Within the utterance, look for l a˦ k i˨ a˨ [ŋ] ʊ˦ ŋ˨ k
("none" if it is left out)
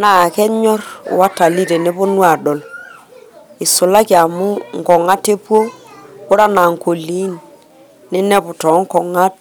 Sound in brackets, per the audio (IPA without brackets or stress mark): m